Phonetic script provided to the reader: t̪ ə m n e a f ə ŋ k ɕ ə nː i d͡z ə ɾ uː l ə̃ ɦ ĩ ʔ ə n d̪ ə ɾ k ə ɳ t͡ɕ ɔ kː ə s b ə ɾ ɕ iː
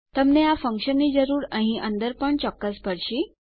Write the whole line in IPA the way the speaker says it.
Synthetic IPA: t̪ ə m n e a f ə ŋ k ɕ ə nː i d͡z ə ɾ uː ɾ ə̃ ɦ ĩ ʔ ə n d̪ ə ɾ p ə ɳ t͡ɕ ɔ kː ə s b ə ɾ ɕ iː